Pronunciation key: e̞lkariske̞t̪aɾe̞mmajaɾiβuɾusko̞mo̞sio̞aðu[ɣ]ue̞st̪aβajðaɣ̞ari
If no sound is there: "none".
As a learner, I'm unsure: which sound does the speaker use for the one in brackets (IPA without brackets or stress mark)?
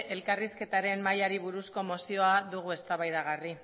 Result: ɣ